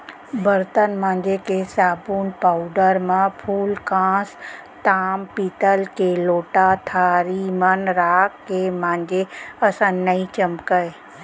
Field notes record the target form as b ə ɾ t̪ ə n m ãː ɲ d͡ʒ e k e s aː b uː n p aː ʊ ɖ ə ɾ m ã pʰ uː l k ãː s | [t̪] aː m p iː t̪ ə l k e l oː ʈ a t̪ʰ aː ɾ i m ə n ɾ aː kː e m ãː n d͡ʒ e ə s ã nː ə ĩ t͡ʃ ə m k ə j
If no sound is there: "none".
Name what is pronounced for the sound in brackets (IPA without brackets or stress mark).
t̪